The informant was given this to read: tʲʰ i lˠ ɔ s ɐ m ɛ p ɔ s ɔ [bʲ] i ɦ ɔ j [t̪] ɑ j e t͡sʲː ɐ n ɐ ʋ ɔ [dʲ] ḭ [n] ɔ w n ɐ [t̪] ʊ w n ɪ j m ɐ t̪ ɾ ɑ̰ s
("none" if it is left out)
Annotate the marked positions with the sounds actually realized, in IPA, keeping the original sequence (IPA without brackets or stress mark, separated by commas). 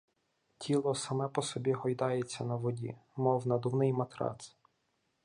bʲ, d̪, dʲ, m, d̪